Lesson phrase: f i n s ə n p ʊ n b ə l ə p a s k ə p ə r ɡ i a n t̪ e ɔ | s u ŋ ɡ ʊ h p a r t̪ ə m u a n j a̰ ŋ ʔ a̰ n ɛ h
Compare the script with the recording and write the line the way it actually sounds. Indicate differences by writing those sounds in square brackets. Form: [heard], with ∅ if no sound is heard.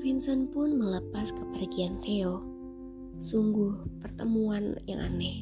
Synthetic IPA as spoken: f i n s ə n p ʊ n [m] ə l ə p a s k ə p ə r ɡ i a n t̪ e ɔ | s u ŋ ɡ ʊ h p [ə] r t̪ ə m u a n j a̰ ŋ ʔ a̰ n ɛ h